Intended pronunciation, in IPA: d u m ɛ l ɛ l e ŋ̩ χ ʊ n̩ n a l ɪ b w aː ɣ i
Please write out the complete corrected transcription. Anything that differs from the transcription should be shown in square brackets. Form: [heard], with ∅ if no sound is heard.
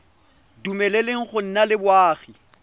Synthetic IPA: d u m ɛ l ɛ l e ŋ̩ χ ʊ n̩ n a l ɪ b w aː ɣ i